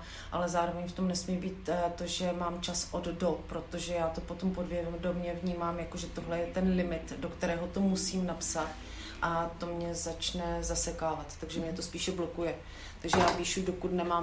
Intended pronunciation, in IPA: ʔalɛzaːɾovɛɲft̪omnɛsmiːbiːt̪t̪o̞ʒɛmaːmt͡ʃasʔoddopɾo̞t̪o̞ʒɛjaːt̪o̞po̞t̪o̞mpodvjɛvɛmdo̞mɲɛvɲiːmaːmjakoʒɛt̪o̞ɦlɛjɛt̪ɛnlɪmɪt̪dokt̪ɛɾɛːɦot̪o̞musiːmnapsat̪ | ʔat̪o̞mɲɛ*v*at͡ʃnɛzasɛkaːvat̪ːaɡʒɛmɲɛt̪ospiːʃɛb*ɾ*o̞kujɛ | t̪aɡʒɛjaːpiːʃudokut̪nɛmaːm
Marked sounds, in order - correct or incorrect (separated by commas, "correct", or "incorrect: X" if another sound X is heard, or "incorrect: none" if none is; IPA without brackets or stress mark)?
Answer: incorrect: z, incorrect: l